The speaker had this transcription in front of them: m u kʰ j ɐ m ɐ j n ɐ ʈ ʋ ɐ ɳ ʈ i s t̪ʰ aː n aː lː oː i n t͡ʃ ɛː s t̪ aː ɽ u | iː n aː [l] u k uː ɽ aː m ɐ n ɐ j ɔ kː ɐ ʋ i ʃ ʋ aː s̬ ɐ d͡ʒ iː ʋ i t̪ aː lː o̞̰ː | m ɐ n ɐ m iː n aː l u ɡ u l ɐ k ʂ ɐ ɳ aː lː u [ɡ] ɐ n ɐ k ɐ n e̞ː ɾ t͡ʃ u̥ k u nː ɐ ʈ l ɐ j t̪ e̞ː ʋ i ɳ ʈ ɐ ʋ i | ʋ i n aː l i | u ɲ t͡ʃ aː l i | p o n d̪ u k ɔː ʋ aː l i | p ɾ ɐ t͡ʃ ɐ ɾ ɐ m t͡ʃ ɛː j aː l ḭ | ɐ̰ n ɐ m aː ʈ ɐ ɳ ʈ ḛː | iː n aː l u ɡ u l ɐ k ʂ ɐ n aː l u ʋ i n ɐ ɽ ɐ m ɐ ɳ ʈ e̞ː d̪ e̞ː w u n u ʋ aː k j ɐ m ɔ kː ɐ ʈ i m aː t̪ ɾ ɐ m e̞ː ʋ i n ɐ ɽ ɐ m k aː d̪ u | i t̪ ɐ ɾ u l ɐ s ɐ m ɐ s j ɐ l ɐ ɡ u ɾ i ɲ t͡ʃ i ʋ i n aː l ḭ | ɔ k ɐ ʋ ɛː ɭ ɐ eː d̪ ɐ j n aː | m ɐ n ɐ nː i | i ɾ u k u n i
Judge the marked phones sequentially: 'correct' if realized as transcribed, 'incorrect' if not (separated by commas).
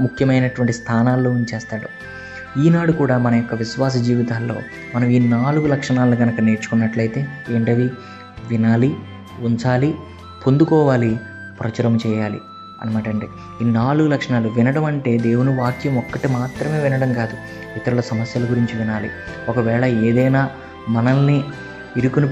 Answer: incorrect, correct